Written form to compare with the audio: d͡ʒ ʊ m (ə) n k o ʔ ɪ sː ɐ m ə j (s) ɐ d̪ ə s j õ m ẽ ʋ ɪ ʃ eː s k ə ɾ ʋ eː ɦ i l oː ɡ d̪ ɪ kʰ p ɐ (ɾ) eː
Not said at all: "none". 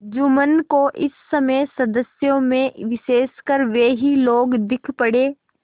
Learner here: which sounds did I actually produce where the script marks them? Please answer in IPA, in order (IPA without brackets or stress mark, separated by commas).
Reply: ə, s, ɽ